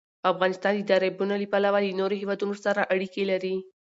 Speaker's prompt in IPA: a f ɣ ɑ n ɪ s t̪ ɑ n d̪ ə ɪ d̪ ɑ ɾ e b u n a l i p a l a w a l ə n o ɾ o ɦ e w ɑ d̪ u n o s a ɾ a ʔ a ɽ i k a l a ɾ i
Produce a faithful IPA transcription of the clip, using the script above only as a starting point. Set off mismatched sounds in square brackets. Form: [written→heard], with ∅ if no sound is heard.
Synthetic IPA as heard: a f ɣ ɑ n ɪ s t̪ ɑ n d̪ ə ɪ d̪ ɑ ɾ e b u n a l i p a l a w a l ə n o ɾ o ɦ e w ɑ d̪ u n o s a ɾ a ʔ a ɽ i k [a→e] l a ɾ i

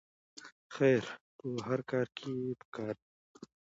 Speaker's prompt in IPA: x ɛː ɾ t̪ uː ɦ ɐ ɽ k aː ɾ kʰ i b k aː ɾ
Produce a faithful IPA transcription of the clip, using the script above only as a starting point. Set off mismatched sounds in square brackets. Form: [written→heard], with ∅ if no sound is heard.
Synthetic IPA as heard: x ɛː ɾ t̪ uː ɦ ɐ [ɽ→ɾ] k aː ɾ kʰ i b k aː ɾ

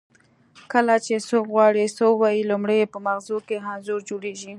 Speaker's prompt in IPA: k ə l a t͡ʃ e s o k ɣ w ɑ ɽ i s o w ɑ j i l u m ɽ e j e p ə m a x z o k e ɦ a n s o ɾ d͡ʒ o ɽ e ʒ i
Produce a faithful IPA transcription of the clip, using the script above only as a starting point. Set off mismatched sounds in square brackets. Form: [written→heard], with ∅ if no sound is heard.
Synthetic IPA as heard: k ə l a t͡ʃ e s o k ɣ w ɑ ɽ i s o w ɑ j i l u m ɽ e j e p ə m a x z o k e ɦ a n [s→z] o ɾ d͡ʒ o ɽ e ʒ i

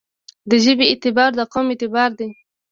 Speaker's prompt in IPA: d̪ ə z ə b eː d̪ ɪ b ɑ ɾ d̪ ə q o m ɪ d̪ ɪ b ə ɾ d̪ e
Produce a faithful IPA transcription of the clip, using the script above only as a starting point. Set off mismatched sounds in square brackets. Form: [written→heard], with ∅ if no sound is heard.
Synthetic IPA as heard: d̪ ə [z→ʒ] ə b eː [d̪→t̪] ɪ b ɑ ɾ d̪ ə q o m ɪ [d̪→t̪] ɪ b [ə→ɑ] ɾ d̪ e

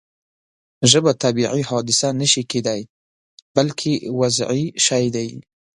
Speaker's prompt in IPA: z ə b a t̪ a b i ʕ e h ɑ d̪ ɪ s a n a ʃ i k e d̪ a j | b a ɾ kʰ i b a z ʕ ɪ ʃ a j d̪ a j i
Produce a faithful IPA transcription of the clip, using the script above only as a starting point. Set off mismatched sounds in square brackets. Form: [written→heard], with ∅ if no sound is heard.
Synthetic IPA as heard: [z→ʒ] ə b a t̪ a b i ʕ [e→i] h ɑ d̪ ɪ s a n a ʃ i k e d̪ a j | b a [ɾ→l] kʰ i [b→w] a z ʕ [ɪ→i] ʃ a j d̪ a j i

